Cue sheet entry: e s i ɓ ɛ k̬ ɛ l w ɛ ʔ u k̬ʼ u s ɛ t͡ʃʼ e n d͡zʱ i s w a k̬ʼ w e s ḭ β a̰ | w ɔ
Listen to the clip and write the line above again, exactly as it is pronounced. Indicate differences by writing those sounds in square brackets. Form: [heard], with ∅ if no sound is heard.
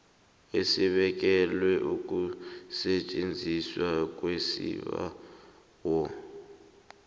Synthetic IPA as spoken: e s i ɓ ɛ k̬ ɛ l w ɛ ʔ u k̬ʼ u s ɛ t͡ʃʼ e n d͡zʱ i s w a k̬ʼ w e s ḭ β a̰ | w ɔ